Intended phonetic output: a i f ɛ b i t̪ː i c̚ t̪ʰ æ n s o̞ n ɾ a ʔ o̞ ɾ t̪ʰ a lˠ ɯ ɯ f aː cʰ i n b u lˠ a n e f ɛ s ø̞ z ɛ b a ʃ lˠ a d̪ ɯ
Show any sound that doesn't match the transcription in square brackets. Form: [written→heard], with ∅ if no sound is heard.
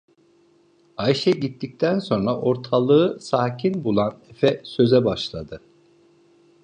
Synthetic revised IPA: a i [f→ʃ] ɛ [b→ɟ] i t̪ː i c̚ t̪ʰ æ n s o̞ n ɾ a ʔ o̞ ɾ t̪ʰ a lˠ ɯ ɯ [f→s] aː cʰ i n b u lˠ a n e f ɛ s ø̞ z ɛ b a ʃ lˠ a d̪ ɯ